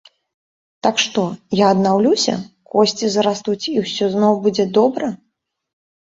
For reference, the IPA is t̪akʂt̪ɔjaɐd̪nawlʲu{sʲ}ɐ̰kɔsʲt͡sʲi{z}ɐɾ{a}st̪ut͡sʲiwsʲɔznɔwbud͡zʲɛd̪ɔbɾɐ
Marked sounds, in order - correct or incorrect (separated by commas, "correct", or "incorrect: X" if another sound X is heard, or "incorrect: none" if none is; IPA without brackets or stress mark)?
correct, correct, correct